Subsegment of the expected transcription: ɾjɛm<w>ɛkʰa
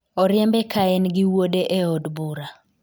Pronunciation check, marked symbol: incorrect: b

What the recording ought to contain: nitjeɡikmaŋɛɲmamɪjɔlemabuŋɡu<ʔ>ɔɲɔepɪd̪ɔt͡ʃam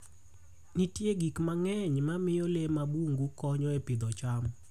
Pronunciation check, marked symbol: incorrect: k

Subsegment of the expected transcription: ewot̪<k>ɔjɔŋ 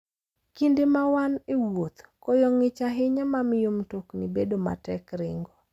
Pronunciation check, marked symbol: correct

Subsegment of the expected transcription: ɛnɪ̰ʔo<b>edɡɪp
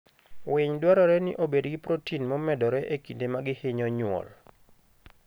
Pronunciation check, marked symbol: correct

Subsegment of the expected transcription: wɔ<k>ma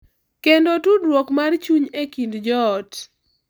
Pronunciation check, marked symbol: correct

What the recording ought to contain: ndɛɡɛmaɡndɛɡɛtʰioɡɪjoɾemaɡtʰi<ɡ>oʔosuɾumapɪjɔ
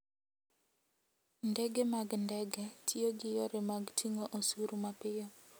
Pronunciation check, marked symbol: incorrect: ŋ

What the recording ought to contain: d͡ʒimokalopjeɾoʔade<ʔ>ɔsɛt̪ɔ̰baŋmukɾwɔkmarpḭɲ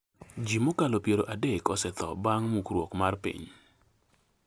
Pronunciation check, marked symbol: incorrect: k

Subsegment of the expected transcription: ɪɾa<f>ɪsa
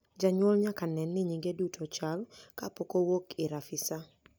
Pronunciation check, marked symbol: correct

